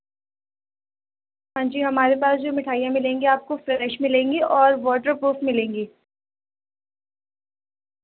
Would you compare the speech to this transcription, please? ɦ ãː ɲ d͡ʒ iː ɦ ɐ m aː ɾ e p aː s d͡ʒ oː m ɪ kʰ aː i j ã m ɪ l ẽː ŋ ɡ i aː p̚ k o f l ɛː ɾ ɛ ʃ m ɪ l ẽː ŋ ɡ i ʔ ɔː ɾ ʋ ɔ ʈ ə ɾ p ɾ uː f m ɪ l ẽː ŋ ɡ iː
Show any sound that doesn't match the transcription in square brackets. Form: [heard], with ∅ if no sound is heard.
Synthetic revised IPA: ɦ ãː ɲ d͡ʒ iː ɦ ɐ m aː ɾ e p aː s d͡ʒ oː m ɪ [ʈʰ] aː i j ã m ɪ l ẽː ŋ ɡ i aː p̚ k o f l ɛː ɾ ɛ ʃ m ɪ l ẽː ŋ ɡ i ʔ ɔː ɾ ʋ [ɔː] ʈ ə ɾ p ɾ uː f m ɪ l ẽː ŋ ɡ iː